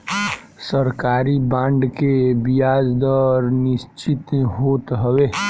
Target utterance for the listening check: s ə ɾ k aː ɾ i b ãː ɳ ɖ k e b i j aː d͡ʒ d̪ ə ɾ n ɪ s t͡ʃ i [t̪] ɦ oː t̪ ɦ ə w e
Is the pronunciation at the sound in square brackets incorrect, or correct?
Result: correct